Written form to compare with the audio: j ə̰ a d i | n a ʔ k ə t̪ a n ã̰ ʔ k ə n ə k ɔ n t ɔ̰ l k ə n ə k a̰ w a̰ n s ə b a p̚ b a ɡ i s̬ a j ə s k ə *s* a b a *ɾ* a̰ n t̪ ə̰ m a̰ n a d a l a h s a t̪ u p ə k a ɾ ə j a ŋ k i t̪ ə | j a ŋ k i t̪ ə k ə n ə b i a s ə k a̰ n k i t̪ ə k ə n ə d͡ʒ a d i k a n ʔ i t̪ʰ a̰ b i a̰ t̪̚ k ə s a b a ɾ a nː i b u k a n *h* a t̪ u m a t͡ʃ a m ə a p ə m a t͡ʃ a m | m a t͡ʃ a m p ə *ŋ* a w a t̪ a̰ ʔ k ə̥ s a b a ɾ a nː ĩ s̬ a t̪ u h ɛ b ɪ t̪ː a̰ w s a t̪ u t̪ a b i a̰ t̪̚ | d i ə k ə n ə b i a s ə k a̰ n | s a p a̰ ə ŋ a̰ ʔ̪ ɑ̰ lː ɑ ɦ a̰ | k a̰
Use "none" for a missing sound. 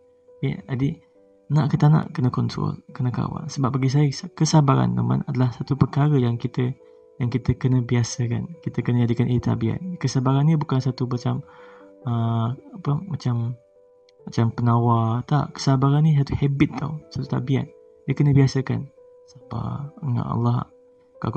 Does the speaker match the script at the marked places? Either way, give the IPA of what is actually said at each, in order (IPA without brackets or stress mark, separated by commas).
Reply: s, ɾ, s, n